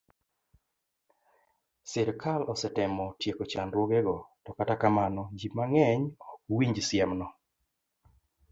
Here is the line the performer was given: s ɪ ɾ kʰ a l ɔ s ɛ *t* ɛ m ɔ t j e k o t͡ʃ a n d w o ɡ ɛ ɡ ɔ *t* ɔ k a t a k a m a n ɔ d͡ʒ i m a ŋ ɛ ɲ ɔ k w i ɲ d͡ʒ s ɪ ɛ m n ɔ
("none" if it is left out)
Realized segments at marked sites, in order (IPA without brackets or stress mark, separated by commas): t, t